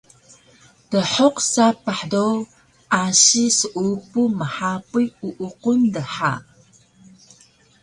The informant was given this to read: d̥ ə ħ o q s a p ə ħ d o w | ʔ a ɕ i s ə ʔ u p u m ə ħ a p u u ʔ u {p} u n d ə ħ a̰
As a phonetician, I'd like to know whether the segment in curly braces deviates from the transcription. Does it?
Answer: yes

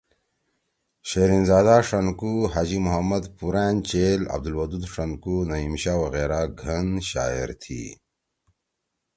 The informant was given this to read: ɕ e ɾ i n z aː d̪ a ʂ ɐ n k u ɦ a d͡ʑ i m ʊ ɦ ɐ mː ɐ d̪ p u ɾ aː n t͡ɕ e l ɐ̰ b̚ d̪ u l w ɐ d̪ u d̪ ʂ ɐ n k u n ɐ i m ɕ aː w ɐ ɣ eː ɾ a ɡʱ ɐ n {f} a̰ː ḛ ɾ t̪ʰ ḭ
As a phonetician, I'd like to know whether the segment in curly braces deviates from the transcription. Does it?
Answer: yes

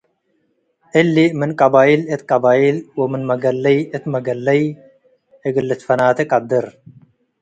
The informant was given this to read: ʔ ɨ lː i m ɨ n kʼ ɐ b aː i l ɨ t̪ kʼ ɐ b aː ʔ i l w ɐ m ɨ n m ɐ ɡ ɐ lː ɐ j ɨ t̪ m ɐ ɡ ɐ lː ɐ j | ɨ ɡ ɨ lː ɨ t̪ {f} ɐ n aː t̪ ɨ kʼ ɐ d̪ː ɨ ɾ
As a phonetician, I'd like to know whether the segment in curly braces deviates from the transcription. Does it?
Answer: no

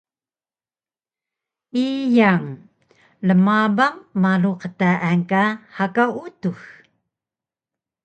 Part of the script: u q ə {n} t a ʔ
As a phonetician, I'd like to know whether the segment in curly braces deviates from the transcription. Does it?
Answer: yes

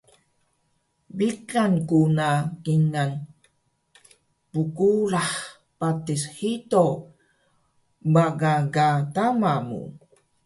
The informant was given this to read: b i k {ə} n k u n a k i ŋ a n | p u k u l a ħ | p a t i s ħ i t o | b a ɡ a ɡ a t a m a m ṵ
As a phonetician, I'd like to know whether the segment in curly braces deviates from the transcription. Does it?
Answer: yes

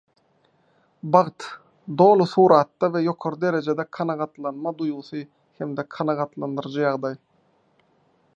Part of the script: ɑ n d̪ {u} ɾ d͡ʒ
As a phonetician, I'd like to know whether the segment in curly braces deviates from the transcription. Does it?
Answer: yes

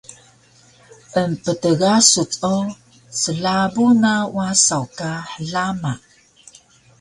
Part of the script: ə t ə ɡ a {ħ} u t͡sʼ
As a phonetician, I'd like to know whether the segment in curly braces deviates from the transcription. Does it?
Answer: yes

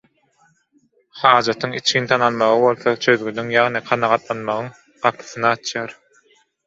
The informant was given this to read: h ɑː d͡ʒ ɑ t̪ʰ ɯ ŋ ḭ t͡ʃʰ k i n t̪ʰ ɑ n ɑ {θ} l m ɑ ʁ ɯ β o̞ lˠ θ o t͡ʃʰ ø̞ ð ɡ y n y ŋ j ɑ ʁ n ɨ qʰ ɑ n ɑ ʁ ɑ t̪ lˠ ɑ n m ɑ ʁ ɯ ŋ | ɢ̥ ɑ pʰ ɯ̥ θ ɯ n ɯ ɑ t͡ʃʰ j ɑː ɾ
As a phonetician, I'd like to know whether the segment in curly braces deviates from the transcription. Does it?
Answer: yes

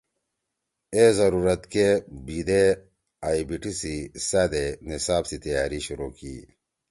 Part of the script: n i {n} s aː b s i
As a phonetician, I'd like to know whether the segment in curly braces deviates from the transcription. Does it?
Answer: yes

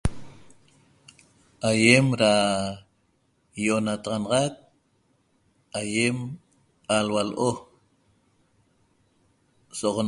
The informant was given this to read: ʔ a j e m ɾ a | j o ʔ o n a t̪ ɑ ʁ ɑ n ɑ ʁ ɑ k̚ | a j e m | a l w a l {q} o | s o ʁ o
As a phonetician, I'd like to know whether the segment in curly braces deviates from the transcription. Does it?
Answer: yes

